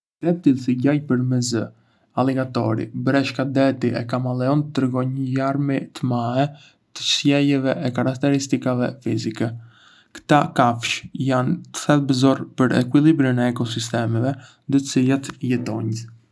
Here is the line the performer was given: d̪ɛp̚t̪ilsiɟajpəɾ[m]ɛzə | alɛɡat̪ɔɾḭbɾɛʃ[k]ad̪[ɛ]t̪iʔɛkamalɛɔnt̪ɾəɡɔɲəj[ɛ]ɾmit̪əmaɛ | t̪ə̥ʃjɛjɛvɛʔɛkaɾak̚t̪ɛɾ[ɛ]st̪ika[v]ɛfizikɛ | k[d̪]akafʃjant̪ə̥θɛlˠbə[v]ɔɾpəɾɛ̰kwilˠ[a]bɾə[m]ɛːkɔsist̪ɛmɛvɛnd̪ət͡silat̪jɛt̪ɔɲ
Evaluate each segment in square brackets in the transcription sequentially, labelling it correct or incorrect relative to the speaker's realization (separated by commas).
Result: correct, correct, correct, incorrect, incorrect, correct, incorrect, incorrect, incorrect, incorrect